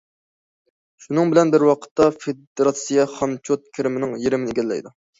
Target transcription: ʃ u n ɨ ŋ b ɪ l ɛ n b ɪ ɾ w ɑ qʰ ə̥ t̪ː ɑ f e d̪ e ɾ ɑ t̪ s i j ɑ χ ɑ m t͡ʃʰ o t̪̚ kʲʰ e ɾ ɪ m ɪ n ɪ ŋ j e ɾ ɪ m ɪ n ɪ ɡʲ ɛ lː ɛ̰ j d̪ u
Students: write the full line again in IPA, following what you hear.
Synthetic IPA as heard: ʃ u n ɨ ŋ b ɪ l ɛ n b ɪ ɾ w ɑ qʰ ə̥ t̪ː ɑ f e d̪ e ɾ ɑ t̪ s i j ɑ χ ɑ m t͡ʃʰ o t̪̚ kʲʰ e ɾ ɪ m ɪ n ɪ ŋ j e ɾ ɪ m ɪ n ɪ ɡʲ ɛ lː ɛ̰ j d̪ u

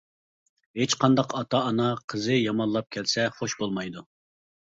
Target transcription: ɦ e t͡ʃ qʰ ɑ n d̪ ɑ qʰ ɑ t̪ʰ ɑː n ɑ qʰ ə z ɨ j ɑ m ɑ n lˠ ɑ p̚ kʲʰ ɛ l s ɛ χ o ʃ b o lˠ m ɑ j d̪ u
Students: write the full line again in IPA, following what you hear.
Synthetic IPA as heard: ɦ e t͡ʃ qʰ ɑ n d̪ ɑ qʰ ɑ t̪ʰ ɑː n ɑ qʰ ə z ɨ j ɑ m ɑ n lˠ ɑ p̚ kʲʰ ɛ l s ɛ χ o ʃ b o lˠ m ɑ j d̪ u

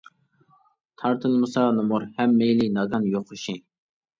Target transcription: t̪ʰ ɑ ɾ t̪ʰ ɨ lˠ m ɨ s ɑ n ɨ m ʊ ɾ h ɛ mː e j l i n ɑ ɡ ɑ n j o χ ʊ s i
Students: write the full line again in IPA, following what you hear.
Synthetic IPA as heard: t̪ʰ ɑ ɾ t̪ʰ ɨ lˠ m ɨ s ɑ n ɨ m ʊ ɾ h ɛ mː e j l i n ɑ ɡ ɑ n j o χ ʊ ʃ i

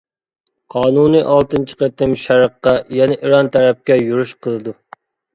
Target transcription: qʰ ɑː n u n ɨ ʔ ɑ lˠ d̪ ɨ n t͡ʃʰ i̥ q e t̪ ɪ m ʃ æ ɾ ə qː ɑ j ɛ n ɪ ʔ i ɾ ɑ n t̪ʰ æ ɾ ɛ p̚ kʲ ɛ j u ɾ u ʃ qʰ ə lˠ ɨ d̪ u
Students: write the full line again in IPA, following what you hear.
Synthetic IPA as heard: qʰ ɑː n u n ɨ ʔ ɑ lˠ t̪ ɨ n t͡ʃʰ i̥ q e t̪ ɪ m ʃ æ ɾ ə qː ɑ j ɛ n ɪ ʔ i ɾ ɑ n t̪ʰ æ ɾ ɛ p̚ kʲ ɛ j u ɾ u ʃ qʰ ə lˠ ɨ d̪ u

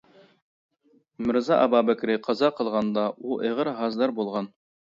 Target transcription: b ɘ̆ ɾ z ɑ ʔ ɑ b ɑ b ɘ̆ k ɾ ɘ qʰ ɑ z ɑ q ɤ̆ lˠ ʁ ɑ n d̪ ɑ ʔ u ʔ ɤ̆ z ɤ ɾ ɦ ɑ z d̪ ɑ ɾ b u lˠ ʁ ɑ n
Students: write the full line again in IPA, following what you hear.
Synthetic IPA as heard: m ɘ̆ ɾ z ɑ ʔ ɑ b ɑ b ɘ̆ k ɾ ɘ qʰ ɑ z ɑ q ɤ̆ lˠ ʁ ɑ n d̪ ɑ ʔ u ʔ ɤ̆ ʁ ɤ ɾ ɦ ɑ z d̪ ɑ ɾ b u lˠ ʁ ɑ n

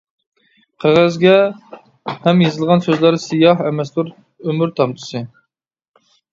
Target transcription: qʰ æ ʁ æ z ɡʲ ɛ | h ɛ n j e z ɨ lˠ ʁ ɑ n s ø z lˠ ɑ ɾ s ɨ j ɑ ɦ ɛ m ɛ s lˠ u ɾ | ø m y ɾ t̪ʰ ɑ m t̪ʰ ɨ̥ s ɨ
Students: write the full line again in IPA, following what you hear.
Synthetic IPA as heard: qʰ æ ʁ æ z ɡʲ ɛ | h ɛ m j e z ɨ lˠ ʁ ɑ n s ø z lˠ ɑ ɾ s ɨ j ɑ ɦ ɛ m ɛ s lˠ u ɾ | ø m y ɾ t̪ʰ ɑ m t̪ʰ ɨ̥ s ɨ

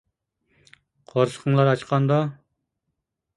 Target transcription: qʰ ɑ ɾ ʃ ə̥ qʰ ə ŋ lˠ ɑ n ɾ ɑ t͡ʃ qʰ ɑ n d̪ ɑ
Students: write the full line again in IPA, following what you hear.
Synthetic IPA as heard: qʰ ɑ ɾ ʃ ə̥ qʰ ə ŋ lˠ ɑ ɾ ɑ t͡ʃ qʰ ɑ n d̪ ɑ

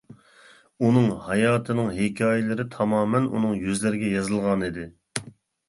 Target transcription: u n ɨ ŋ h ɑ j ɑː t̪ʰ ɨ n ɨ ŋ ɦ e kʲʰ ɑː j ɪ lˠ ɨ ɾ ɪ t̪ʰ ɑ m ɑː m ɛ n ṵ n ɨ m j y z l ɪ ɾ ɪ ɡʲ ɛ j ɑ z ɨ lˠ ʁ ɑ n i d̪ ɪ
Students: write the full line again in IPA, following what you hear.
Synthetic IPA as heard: u n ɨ ŋ h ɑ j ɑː t̪ʰ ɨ n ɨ ŋ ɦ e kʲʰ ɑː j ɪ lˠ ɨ ɾ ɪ t̪ʰ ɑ m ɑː m ɛ n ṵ n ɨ ŋ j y z l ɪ ɾ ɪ ɡʲ ɛ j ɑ z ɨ lˠ ʁ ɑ n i d̪ ɪ

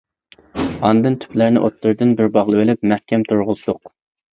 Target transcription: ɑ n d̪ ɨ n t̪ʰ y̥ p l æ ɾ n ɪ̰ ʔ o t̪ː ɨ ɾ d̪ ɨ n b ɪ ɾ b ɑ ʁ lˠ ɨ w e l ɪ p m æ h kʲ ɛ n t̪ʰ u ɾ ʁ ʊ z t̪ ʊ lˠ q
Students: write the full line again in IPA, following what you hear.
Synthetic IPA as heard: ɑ n d̪ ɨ n t̪ʰ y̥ p l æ ɾ n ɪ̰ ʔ o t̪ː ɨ ɾ d̪ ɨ n b ɪ ɾ b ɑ ʁ lˠ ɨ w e l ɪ p m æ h kʲ ɛ m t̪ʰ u ɾ ʁ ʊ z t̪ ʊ q

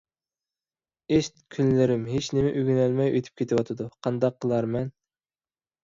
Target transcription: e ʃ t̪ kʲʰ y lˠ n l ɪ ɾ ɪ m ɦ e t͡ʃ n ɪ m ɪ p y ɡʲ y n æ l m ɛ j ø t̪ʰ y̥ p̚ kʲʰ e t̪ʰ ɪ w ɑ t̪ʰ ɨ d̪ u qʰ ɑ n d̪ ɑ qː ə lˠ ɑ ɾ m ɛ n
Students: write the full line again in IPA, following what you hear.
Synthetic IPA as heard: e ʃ t̪ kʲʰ y n l ɪ ɾ ɪ m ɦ e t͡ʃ n ɪ m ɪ ʔ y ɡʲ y n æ l m ɛ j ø t̪ʰ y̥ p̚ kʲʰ e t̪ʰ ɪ w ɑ t̪ʰ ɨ d̪ u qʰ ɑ n d̪ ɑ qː ə lˠ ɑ ɾ m ɛ n

